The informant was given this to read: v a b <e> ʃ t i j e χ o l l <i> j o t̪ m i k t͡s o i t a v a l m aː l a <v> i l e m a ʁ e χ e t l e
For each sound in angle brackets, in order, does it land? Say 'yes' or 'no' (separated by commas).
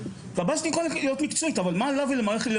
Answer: no, yes, yes